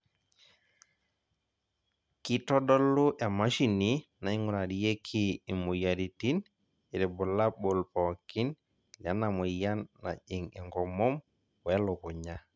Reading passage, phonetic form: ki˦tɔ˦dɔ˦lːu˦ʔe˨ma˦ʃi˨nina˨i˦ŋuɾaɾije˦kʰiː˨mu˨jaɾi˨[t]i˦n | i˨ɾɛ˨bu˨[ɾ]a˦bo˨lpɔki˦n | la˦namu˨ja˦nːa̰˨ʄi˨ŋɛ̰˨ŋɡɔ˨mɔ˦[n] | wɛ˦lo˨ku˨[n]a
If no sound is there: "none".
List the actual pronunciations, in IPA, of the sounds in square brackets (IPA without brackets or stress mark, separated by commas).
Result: t, l, m, ɲ